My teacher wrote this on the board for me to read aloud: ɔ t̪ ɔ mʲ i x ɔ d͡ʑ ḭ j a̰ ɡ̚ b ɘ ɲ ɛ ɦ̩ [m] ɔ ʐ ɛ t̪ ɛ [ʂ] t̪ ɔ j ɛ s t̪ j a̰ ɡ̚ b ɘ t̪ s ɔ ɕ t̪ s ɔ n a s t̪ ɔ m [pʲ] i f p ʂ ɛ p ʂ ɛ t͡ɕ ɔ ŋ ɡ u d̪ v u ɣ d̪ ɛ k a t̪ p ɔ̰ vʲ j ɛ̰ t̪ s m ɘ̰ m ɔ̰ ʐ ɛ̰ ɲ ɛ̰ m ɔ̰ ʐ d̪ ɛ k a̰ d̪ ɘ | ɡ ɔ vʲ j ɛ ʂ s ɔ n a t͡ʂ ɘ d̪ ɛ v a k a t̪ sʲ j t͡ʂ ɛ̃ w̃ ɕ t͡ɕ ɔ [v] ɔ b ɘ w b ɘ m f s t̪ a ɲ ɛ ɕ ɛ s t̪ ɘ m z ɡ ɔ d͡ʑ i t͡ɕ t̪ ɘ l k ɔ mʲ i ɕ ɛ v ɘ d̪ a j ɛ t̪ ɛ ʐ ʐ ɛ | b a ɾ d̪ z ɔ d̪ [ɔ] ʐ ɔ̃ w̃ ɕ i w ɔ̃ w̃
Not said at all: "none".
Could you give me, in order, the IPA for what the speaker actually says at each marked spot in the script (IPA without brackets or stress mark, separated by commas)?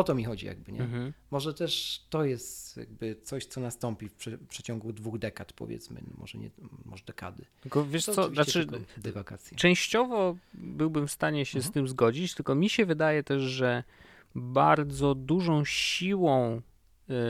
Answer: m, ʂ, pʲ, v, u